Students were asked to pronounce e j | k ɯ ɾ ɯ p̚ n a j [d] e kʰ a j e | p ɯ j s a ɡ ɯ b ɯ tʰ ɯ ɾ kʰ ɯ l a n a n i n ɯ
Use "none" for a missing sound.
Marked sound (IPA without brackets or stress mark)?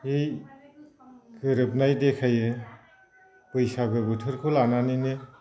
d